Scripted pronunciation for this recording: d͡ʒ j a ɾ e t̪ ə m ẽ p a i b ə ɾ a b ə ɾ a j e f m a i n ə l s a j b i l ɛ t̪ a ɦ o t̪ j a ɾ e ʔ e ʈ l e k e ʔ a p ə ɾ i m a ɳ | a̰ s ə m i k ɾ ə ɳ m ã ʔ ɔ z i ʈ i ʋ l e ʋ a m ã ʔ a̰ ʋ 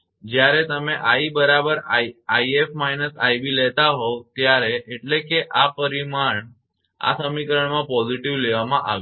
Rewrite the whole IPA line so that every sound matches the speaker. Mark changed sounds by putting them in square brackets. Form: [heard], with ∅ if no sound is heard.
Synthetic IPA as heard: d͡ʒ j a ɾ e t̪ ə m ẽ [ʔ] a i b ə ɾ a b ə ɾ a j e f m a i n ə [∅] s a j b i l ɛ t̪ a ɦ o t̪ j a ɾ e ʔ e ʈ l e k e ʔ a p ə ɾ i m a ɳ | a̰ s ə m i k ɾ ə ɳ m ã [p] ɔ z i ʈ i ʋ l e ʋ a m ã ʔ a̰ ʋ

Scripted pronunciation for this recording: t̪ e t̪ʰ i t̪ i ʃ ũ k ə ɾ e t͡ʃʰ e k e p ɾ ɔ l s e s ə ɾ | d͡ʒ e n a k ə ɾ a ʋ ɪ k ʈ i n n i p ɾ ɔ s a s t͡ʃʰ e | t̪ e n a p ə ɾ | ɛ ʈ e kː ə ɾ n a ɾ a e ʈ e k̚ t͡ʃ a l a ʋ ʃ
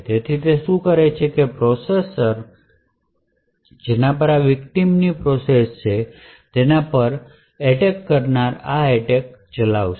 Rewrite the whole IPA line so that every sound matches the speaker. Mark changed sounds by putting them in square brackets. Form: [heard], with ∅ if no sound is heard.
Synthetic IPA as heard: t̪ e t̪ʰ i t̪ [e] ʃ ũ k ə ɾ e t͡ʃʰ e k e p ɾ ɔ [∅] s e s ə ɾ | d͡ʒ e n a [p] ə ɾ a ʋ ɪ k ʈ i [m] n i p ɾ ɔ s [e] s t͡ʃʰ e | t̪ e n a p ə ɾ | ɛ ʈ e kː ə ɾ n a ɾ a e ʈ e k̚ t͡ʃ [ə] l a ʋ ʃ

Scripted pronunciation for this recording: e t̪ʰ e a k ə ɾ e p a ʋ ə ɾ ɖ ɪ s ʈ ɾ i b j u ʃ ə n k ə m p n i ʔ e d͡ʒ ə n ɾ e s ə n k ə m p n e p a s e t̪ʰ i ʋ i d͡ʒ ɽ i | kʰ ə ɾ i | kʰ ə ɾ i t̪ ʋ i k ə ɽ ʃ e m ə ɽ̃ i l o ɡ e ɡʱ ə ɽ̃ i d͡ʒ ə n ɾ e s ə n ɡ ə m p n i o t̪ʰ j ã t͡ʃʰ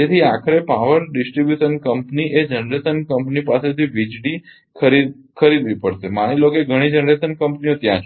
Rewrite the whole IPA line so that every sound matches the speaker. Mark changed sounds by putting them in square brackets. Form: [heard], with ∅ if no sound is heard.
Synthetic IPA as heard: e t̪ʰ [i] a [kʰ] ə ɾ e p a ʋ ə ɾ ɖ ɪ s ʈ ɾ i b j u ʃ ə n k ə m p n i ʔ e d͡ʒ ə n ɾ e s ə n k ə m p n [i] p a s e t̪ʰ i ʋ i d͡ʒ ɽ i | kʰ ə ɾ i | kʰ ə ɾ i [d̪] ʋ i [p] ə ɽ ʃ e m [a] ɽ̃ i l o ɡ e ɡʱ ə ɽ̃ i d͡ʒ ə n ɾ e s ə n [k] ə m p n i o [t̪] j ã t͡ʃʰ

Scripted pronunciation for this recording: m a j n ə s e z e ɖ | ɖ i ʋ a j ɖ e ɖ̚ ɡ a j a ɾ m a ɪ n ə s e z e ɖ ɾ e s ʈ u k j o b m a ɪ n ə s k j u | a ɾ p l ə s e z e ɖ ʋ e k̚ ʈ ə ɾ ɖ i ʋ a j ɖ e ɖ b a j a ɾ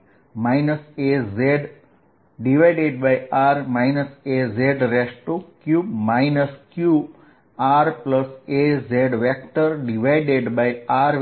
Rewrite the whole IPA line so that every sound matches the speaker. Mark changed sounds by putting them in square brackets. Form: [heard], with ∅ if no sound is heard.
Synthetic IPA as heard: m a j n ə s e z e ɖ | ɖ i ʋ a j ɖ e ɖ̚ [b] a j a ɾ m a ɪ n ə s e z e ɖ ɾ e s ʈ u k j [u] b m a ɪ n ə s k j u | a ɾ p l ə s e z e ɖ ʋ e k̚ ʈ ə ɾ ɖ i ʋ a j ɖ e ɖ b a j a ɾ

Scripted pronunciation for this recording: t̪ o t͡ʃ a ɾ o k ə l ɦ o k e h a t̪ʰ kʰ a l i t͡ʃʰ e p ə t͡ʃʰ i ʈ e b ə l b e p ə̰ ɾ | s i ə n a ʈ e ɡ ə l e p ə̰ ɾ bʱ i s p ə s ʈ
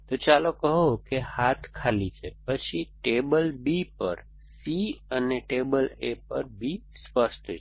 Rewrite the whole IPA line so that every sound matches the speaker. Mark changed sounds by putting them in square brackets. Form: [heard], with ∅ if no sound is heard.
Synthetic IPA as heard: t̪ o t͡ʃ a [l] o k ə [∅] ɦ o k e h a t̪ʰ kʰ a l i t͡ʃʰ e p ə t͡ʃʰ i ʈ e b ə l b [i] p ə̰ ɾ | s i ə n [e] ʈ e [b] ə l e p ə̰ ɾ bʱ i s p ə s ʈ

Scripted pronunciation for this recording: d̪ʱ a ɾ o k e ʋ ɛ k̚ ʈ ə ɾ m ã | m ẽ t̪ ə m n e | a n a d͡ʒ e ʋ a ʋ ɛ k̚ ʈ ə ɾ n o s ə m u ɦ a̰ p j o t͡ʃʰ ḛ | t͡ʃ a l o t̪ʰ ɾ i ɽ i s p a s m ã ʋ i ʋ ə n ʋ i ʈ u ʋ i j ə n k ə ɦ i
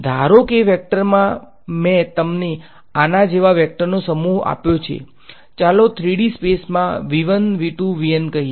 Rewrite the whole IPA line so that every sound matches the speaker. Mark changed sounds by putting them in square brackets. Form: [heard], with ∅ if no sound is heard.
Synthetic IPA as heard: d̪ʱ a ɾ o k e ʋ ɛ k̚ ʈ ə ɾ m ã | m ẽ t̪ ə m n e | a n a d͡ʒ e ʋ a ʋ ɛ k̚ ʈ ə ɾ n o s ə m u ɦ a̰ p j o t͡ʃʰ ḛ | t͡ʃ a l o t̪ʰ ɾ i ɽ i s p [e] s m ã ʋ i ʋ ə n ʋ i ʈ u ʋ i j ə n k ə ɦ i

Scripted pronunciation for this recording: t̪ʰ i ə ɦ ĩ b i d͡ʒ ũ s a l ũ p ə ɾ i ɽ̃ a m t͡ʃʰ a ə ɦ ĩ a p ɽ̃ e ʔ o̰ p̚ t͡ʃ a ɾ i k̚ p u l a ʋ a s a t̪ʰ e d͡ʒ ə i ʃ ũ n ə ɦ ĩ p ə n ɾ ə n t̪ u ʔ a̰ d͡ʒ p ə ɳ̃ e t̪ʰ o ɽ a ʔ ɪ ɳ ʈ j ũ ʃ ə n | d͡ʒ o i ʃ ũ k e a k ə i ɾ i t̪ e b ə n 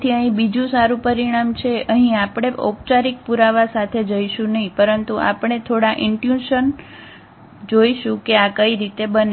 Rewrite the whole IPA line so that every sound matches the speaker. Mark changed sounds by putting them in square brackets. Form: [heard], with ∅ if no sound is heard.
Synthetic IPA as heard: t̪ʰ i ə ɦ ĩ b i d͡ʒ ũ s a [ɾ] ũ p ə ɾ i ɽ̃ a m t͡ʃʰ [e] ə ɦ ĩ a p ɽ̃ e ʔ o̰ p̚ t͡ʃ a ɾ i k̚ p u [ɾ] a ʋ a s a t̪ʰ e d͡ʒ ə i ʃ ũ n ə ɦ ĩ p ə [∅] ɾ ə n t̪ u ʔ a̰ [∅] p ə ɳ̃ e t̪ʰ o ɽ a ʔ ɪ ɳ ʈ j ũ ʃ ə n | d͡ʒ o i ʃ ũ k e a k ə i ɾ i t̪ e b ə n

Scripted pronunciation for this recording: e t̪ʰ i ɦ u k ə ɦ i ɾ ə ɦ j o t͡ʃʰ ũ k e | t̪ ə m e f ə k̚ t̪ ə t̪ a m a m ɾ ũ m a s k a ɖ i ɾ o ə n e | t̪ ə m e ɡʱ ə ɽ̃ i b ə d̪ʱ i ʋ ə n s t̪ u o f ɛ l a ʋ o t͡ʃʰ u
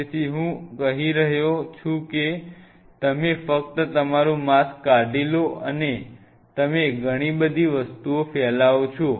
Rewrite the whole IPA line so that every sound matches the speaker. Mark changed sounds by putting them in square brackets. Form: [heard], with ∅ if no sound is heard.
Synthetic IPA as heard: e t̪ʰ i ɦ [ũ] k ə ɦ i ɾ ə ɦ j o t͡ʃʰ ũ k e | t̪ ə m e f ə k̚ t̪ ə t̪ [ə] m a [∅] ɾ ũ m a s k a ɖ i [l] o ə n e | t̪ ə m e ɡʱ ə ɽ̃ i b ə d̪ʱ i ʋ ə [∅] s t̪ u o f ɛ l a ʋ o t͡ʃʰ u

